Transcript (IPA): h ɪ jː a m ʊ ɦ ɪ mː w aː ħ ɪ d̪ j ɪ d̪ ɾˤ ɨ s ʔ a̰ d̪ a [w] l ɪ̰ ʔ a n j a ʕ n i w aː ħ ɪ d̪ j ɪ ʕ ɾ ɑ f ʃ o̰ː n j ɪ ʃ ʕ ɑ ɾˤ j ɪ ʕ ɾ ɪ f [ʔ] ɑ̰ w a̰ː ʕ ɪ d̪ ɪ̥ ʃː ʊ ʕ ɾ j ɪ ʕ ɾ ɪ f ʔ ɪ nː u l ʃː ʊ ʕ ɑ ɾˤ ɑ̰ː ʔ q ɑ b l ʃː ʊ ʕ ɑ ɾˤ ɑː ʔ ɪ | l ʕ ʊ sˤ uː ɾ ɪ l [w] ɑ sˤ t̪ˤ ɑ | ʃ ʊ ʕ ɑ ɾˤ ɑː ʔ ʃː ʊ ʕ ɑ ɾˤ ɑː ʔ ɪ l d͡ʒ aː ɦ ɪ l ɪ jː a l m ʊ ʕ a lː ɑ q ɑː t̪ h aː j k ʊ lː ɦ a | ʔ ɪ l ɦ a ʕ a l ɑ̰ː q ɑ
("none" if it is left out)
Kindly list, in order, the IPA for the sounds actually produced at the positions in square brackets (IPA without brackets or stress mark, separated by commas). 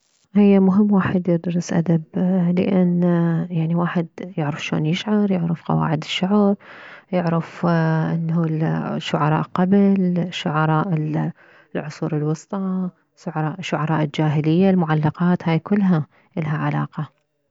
b, q, w